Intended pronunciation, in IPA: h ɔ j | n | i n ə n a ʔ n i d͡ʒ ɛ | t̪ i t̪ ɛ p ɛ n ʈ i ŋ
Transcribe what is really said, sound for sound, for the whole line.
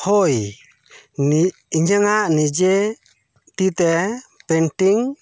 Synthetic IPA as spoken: h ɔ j | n | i ɲ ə ŋ a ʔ n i d͡ʒ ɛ | t̪ i t̪ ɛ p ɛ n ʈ i ŋ

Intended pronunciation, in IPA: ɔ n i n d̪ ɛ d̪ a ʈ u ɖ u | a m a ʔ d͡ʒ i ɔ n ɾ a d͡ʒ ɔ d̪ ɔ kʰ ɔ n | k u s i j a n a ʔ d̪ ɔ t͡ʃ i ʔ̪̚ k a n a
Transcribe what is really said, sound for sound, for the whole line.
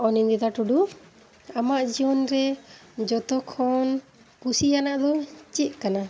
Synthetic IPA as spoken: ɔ n i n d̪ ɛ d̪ a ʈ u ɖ u | a m a ʔ d͡ʒ i ɔ n ɾ ɛ d͡ʒ ɔ t̪ ɔ kʰ ɔ n | k u s i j a n a ʔ d̪ ɔ t͡ʃ i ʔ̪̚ k a n a

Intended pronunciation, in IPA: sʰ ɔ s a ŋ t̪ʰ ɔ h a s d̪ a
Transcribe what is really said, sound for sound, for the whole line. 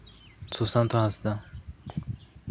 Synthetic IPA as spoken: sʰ u s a n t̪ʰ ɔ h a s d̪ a

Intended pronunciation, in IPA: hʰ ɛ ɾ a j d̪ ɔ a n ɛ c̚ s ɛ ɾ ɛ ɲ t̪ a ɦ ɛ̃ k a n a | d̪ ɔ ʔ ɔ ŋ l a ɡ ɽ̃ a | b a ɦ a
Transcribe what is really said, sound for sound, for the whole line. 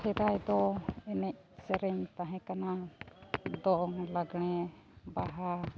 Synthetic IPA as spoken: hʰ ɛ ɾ a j d̪ ɔ ɛ n ɛ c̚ s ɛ ɾ ɛ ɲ t̪ a ɦ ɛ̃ k a n a | d̪ ɔ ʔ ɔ ŋ l a ɡ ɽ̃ ɛ | b a ɦ a

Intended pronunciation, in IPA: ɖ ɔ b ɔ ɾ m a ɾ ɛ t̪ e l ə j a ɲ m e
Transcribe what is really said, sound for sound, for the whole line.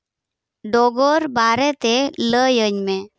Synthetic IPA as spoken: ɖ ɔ ɡ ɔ ɾ b a ɾ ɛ t̪ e l ə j ə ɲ m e

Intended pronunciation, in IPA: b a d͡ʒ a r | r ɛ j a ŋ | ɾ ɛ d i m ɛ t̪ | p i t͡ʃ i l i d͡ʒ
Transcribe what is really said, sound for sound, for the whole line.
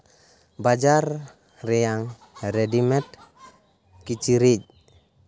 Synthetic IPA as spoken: b a d͡ʒ a r | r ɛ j a ŋ | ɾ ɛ d i m ɛ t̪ | k i t͡ʃ i ɾ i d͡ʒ

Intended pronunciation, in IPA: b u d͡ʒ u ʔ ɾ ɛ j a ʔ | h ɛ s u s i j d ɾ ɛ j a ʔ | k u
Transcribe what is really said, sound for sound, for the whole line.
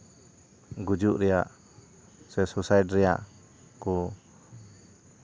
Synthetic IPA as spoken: ɡ u d͡ʒ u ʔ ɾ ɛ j a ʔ | s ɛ s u s a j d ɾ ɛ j a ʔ | k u

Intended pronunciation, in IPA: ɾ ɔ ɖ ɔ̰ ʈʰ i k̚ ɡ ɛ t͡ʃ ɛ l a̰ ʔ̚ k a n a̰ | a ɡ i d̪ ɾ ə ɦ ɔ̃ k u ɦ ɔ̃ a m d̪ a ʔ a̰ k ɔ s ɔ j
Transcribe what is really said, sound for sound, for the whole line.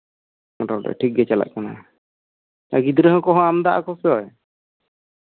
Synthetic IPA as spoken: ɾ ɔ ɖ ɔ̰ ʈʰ i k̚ ɡ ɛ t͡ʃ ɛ l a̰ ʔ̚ k a n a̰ | a ɡ i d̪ ɾ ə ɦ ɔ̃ k ɔ ɦ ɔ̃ a m d̪ a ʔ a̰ k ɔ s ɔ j

